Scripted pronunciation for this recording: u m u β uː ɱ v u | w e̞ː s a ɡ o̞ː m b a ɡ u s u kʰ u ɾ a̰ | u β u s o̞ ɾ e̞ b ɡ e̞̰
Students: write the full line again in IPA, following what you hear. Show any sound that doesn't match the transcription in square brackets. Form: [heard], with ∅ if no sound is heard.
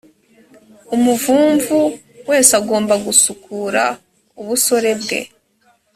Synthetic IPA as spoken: u m u [v] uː ɱ v u | w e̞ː s a ɡ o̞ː m b a ɡ u s u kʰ u ɾ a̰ | u β u s o̞ ɾ e̞ b ɡ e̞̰